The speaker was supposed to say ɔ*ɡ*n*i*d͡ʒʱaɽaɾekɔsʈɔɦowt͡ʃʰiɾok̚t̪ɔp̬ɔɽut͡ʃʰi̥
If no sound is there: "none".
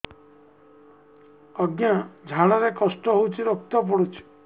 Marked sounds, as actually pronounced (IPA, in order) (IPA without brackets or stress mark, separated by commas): ɡ, a